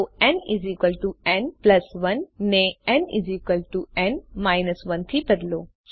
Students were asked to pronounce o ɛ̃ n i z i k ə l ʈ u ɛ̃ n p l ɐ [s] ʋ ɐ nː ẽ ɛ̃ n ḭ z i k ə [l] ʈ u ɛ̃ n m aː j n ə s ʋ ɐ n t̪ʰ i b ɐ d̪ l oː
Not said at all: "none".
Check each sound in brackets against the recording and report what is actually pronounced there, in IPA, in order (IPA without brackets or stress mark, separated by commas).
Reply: s, l